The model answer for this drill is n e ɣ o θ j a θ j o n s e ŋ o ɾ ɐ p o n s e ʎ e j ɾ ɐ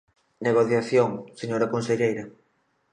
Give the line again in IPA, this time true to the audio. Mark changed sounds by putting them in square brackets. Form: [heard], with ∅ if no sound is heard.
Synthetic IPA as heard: n e ɣ o θ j a θ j o [ŋ] s e [ɲ] o ɾ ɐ [k] o n s e ʎ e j ɾ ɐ